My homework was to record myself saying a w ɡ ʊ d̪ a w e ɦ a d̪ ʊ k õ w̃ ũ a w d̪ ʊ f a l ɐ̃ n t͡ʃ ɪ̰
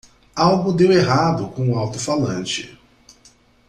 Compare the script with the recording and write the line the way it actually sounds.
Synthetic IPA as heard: a w ɡ ʊ d̪ e w e ɦ a d̪ ʊ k õ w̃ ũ a w t̪ ʊ f a l ɐ̃ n t͡ʃ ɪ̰